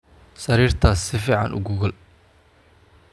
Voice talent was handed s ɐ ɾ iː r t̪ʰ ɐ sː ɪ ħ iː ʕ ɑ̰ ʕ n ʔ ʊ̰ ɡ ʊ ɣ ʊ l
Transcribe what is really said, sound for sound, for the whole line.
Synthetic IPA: s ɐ ɾ iː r t̪ʰ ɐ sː ɪ f iː ʕ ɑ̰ n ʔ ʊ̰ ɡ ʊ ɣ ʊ l